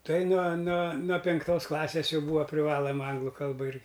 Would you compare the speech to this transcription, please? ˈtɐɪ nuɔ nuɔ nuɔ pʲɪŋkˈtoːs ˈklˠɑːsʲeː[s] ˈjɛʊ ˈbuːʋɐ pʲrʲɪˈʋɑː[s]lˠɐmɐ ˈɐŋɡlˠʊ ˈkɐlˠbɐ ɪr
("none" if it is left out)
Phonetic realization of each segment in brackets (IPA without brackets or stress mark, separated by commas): s, none